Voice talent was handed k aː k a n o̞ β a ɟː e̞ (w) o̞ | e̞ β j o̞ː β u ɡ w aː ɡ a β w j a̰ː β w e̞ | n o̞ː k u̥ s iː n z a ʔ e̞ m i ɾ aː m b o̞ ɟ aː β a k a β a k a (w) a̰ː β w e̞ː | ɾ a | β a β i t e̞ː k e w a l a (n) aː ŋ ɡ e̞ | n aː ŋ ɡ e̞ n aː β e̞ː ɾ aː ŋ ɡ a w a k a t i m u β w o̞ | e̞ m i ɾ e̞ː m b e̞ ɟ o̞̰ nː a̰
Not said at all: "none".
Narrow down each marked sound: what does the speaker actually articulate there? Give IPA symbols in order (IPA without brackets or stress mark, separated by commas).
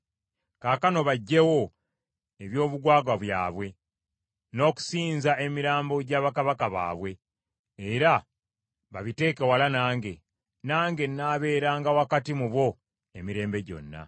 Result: w, β, n